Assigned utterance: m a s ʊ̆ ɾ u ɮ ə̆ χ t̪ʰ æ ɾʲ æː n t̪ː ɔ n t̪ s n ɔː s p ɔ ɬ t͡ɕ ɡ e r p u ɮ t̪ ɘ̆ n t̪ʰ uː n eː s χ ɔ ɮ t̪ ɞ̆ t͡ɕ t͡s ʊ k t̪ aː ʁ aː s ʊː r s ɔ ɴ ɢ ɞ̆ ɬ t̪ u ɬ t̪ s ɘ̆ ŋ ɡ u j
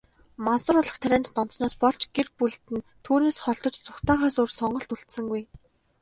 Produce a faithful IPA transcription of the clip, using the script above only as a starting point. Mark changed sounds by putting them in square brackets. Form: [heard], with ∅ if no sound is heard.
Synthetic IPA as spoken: m a s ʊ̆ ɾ [ʊ] ɮ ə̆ χ t̪ʰ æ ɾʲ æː n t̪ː ɔ n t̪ s n ɔː s p ɔ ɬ t͡ɕ ɡ e r p u ɮ t̪ ɘ̆ n t̪ʰ uː n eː s χ ɔ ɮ t̪ ɞ̆ t͡ɕ t͡s ʊ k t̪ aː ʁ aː s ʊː r s ɔ ɴ ɢ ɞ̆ ɬ t̪ u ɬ t̪ s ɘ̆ ŋ ɡ u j